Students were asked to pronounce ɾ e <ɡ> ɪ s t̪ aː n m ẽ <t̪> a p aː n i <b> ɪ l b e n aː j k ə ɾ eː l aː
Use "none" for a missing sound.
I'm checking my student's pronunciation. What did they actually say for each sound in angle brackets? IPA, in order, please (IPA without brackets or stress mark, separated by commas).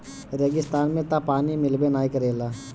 ɡ, t̪, m